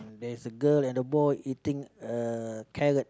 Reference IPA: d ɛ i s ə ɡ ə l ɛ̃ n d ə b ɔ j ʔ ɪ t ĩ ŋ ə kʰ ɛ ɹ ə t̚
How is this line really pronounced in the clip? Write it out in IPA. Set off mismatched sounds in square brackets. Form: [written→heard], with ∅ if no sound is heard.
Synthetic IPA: d ɛ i s ə ɡ ə l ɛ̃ n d ə b ɔ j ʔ [ɪ→i] t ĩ ŋ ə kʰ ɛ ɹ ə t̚